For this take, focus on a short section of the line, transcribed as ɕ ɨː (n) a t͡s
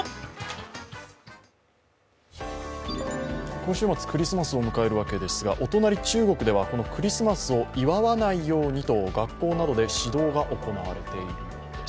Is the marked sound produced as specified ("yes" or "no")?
no